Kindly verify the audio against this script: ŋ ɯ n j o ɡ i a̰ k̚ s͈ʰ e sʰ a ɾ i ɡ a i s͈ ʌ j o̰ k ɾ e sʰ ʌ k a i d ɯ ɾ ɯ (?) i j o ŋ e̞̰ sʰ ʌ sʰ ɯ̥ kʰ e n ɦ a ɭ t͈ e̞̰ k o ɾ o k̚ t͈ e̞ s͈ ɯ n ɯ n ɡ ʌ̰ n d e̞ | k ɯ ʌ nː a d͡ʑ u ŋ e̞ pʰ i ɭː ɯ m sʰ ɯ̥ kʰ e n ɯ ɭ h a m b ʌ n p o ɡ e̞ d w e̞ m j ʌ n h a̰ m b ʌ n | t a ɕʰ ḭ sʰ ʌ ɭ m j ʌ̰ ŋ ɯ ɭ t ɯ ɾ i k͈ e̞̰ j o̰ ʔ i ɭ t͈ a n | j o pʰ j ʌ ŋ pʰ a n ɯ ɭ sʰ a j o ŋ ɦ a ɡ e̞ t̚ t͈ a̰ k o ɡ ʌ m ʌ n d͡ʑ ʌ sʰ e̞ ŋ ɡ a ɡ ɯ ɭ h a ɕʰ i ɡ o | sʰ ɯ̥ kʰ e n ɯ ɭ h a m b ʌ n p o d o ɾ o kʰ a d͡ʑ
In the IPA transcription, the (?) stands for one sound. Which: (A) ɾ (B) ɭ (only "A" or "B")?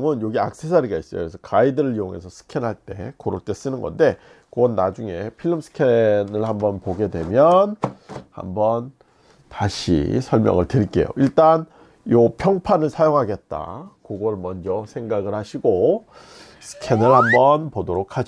B